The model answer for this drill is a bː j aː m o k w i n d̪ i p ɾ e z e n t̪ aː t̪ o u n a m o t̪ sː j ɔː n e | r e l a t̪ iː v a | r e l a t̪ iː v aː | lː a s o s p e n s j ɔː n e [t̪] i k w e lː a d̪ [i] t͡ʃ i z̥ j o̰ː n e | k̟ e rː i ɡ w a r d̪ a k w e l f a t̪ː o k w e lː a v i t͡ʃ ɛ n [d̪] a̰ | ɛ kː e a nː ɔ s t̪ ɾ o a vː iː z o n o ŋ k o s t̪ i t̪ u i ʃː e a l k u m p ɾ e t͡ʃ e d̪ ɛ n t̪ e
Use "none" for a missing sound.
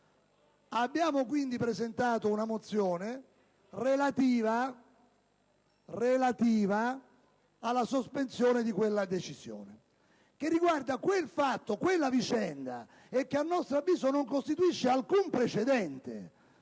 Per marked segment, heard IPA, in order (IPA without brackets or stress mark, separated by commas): d̪, e, d̪